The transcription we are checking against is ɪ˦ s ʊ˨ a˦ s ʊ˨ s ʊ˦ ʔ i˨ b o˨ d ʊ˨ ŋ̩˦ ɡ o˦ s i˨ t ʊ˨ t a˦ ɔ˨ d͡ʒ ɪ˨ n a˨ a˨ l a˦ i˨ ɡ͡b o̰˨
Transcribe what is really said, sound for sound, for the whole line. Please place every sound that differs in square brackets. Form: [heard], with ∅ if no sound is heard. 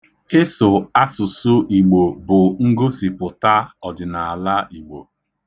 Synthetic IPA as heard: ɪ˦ s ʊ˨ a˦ s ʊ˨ s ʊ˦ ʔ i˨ [ɡ͡b] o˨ [b] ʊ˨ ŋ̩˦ ɡ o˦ s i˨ [p] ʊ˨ t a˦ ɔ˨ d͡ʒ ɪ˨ n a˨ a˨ l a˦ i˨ ɡ͡b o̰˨